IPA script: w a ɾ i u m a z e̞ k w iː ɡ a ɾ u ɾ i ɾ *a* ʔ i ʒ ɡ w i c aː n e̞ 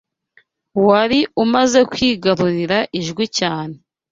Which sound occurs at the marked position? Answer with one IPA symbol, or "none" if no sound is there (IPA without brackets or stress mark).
a